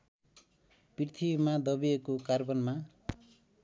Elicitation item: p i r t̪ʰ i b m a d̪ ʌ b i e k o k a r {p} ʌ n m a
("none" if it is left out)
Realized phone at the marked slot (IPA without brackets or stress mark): b